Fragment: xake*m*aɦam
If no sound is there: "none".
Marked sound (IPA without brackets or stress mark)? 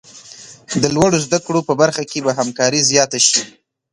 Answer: b